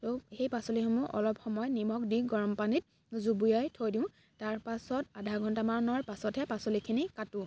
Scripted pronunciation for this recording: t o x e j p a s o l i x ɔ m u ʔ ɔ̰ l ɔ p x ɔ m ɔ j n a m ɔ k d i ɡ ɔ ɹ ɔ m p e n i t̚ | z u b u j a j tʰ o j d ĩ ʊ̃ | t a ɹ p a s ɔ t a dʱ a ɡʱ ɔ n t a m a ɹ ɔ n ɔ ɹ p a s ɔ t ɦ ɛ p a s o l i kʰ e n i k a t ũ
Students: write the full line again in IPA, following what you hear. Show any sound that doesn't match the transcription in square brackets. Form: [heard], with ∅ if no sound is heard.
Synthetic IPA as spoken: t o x e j p a s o l i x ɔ m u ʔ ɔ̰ l ɔ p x ɔ m ɔ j n [i] m ɔ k d i ɡ ɔ ɹ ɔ m p [a] n i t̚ | z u b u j a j tʰ o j d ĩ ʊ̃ | t a ɹ p a s ɔ t a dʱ a ɡʱ ɔ n t a m a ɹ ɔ n ɔ ɹ p a s ɔ t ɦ ɛ p a s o l i kʰ [i] n i k a t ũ